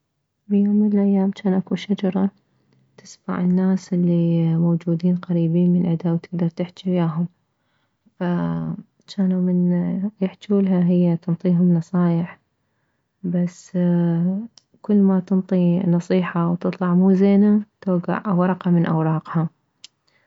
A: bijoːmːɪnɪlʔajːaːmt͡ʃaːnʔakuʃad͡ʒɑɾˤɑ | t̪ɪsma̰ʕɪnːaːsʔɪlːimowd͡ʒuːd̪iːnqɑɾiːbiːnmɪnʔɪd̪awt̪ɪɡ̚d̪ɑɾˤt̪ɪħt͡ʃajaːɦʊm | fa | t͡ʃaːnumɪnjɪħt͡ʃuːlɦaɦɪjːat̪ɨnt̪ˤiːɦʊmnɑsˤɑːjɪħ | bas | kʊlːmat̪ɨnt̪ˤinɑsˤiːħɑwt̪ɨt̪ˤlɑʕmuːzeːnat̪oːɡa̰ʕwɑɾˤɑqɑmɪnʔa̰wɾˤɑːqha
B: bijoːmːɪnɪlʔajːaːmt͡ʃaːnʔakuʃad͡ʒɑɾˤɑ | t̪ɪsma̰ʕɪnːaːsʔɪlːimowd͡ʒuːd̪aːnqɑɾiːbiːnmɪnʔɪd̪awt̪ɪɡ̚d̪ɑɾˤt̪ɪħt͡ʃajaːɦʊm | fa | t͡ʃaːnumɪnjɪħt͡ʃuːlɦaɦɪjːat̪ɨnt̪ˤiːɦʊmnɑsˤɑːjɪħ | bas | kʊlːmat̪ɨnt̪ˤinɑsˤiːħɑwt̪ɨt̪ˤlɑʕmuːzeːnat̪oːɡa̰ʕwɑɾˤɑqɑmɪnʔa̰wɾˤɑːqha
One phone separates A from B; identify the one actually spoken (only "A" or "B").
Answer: A